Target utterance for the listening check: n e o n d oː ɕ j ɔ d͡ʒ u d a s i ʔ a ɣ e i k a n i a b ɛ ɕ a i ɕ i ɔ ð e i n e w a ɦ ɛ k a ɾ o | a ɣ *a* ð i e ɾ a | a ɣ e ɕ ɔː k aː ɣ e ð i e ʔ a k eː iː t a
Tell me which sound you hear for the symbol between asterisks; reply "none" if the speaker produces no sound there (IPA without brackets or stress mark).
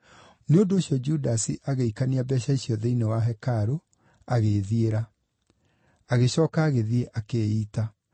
e